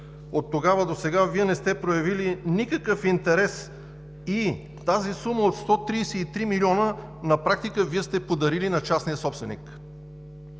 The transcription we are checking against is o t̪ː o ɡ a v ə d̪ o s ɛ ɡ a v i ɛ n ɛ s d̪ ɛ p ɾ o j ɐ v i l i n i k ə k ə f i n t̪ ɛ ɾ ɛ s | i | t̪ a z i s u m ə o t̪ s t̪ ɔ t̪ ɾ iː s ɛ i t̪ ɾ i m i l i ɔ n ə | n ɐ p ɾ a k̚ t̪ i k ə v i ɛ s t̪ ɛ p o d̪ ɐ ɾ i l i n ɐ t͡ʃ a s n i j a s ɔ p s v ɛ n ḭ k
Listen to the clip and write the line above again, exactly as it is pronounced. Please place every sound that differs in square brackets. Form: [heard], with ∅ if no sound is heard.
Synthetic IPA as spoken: o t̪ː o ɡ a v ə d̪ o s ɛ ɡ a v i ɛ n ɛ s [t̪] ɛ p ɾ o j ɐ v i l i n i k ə k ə f i n t̪ ɛ ɾ ɛ s | i | t̪ a z i s u m ə o t̪ s t̪ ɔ t̪ ɾ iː s ɛ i t̪ ɾ i m i l i ɔ n ə | n ɐ p ɾ a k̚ t̪ i k ə v i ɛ s t̪ ɛ p o d̪ ɐ ɾ i l i n ɐ t͡ʃ a s n i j [ə] s ɔ p s v ɛ n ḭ k